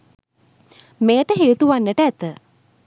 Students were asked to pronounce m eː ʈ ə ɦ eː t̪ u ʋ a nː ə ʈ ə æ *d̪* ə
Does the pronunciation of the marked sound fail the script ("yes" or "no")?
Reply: yes